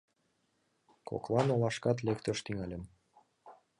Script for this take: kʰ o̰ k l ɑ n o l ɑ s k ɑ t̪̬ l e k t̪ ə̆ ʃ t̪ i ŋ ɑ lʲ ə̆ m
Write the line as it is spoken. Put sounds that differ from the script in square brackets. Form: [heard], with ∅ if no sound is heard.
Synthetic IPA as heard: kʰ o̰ k l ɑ n o l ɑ [ʃ] k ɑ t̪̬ l e k t̪ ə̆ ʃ t̪ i ŋ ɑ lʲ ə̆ m